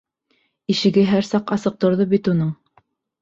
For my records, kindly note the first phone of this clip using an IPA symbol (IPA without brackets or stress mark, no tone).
i